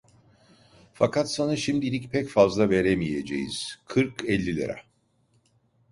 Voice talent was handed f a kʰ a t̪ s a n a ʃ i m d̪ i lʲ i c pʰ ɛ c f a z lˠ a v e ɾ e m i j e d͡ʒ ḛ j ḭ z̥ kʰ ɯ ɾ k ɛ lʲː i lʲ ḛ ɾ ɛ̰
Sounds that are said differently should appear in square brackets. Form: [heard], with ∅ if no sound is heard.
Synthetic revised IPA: f a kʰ a t̪ s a n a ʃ i m d̪ i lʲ i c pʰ ɛ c f a z lˠ a v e ɾ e m i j e d͡ʒ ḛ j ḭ z̥ kʰ ɯ ɾ k ɛ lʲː i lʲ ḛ ɾ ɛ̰